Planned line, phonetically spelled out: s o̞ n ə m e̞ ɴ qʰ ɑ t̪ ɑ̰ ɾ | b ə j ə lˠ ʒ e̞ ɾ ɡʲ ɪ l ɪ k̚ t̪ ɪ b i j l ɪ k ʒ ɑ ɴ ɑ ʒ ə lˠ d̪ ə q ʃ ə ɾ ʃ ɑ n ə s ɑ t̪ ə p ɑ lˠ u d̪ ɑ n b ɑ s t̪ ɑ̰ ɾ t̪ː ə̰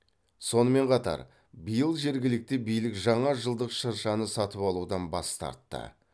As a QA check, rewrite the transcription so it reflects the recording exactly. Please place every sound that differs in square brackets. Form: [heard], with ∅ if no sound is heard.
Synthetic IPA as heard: s o̞ n ə m e̞ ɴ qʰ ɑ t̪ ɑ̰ ɾ | b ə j ə lˠ ʒ e̞ ɾ ɡʲ ɪ l ɪ k̚ t̪ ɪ b i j l ɪ k ʒ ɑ ɴ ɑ ʒ ə lˠ d̪ ə q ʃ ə ɾ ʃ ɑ n ə s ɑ t̪ ə p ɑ lˠ u d̪ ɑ n b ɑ s t̪ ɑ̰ ɾ t̪ː ə̰